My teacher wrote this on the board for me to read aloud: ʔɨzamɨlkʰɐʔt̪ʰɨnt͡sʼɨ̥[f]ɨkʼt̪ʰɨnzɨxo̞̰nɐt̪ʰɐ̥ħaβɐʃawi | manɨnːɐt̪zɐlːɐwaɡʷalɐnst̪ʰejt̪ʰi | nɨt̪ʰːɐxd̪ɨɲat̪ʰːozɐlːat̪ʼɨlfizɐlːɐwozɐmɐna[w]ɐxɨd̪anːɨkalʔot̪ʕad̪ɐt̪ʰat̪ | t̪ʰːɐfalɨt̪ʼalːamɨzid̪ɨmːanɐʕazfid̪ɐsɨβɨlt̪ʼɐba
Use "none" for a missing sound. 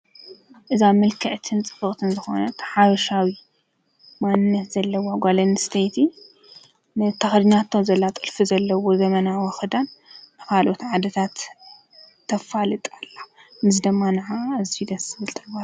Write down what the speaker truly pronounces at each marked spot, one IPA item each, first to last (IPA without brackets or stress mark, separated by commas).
f, w